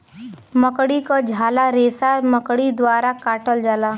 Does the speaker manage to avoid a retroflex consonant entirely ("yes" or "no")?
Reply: no